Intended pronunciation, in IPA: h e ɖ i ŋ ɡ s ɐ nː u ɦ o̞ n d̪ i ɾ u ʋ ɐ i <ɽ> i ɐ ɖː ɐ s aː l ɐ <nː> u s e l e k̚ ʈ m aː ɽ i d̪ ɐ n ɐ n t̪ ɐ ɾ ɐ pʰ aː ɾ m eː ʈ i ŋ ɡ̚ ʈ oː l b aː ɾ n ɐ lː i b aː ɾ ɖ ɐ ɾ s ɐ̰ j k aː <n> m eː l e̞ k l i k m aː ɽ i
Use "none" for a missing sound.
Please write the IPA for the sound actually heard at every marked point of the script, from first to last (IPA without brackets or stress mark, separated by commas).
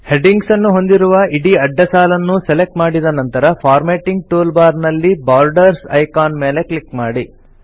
ɽ, nː, n